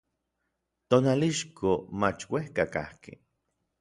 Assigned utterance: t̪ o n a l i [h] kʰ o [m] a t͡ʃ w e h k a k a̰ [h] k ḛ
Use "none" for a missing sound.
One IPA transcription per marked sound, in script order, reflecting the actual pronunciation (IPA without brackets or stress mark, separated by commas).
ʃ, m, h